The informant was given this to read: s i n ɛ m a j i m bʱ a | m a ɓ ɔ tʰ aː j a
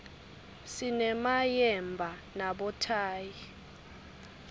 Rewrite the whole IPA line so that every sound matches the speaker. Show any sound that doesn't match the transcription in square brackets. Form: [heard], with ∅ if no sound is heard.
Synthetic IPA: s i n ɛ m a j [ɛ] m bʱ a | [n] a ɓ ɔ tʰ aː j [i]